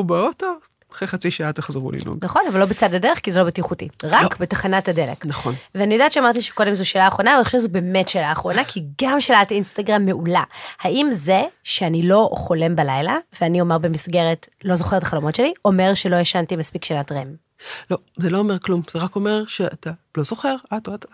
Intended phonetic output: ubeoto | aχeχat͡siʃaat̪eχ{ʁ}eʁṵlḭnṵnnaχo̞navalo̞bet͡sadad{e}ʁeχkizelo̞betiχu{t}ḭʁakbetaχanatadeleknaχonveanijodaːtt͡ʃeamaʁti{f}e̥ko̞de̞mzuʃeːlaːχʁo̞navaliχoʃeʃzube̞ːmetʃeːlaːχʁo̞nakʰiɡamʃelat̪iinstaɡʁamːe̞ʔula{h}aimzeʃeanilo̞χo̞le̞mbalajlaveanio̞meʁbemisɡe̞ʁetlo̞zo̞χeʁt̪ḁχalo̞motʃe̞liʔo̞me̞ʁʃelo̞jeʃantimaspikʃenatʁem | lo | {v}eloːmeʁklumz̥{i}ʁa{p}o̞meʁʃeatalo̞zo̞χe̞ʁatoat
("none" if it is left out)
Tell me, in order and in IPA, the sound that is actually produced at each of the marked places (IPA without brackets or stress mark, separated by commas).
z, e, t, ʃ, h, z, e, k